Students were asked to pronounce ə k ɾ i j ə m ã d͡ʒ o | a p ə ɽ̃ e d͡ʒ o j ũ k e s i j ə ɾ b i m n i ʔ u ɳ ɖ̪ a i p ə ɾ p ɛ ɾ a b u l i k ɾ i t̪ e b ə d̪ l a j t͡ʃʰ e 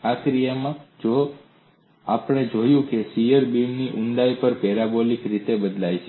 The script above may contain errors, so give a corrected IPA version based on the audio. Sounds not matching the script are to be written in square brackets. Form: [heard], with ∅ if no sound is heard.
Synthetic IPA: [a] k ɾ i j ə m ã d͡ʒ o | a p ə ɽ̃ e d͡ʒ o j ũ k e s i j ə ɾ b i m n i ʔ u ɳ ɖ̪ a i p ə ɾ p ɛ ɾ a b [o] l i k ɾ i t̪ e b ə d̪ l a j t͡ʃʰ e